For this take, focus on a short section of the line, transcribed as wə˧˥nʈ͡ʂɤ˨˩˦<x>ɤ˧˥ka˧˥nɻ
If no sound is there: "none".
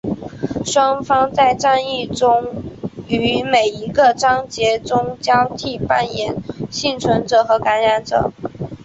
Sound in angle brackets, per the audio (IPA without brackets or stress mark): x